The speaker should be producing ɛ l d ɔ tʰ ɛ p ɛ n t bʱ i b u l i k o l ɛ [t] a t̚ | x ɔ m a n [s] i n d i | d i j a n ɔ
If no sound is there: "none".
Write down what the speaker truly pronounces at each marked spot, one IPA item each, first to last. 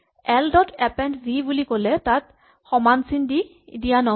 t, s

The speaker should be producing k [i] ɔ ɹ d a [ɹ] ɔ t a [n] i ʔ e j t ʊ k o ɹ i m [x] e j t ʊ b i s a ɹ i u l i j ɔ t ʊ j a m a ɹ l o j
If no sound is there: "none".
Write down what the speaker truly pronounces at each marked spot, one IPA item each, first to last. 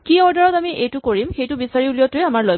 i, ɹ, m, x

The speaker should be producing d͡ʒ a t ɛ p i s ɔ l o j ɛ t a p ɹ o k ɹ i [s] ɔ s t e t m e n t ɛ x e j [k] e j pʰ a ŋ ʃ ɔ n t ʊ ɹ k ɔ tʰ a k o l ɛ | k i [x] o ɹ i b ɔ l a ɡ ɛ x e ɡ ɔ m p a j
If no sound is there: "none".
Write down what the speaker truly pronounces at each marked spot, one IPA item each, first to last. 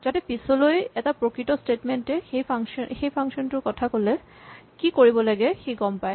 t, x, k

